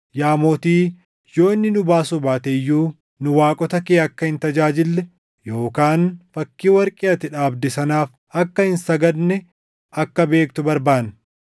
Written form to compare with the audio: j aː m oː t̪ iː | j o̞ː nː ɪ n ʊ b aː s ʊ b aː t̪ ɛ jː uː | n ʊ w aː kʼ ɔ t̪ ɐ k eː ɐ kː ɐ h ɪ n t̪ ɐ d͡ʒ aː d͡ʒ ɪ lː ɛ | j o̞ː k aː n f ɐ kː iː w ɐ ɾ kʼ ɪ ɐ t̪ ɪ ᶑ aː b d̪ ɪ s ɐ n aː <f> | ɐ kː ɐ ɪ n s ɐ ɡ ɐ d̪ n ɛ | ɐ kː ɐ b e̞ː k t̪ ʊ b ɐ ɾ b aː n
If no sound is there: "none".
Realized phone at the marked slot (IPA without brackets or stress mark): f